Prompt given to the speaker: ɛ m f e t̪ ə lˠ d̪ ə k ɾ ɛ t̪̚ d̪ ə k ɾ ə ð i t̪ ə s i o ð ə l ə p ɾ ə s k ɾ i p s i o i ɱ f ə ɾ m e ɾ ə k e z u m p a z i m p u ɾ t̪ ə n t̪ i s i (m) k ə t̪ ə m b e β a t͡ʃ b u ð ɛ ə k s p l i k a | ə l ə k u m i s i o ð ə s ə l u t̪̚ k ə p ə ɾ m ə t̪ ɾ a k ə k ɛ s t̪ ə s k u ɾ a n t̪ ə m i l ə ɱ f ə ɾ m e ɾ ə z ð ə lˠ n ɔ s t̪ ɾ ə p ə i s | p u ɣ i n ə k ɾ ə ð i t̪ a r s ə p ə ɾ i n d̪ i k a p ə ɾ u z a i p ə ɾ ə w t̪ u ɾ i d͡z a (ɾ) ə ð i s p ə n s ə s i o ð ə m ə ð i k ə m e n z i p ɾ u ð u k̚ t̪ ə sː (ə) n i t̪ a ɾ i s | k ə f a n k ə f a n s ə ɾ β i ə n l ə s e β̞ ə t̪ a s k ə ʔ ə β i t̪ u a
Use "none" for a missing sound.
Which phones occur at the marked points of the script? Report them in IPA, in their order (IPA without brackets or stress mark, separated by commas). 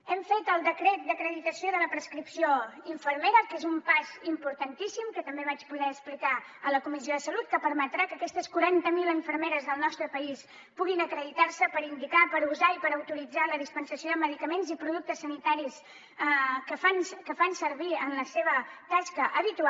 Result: m, l, ə